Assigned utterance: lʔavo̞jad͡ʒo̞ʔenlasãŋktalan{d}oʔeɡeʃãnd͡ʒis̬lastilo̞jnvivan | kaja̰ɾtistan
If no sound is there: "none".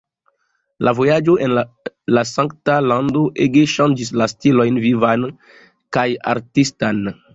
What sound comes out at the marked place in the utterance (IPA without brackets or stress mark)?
d